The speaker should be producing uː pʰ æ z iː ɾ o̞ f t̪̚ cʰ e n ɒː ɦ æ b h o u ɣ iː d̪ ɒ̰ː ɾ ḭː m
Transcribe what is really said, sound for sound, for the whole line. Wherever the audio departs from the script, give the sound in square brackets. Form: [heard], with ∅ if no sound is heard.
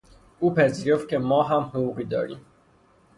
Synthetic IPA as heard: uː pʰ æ z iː ɾ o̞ f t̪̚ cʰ e [m] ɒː ɦ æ [m] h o u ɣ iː d̪ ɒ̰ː ɾ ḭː m